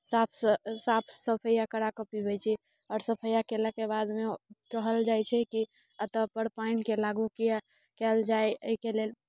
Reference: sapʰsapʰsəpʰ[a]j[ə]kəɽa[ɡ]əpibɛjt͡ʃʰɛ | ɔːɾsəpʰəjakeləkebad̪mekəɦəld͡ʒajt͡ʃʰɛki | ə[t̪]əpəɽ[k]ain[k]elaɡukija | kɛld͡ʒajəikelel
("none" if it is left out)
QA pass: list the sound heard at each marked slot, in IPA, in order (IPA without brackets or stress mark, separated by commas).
ə, a, k, t̪, p, k